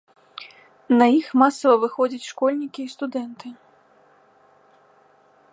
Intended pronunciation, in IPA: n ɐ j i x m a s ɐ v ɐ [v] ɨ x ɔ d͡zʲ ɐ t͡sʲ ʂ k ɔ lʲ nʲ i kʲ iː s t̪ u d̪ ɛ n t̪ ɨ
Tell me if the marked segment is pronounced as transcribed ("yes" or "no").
yes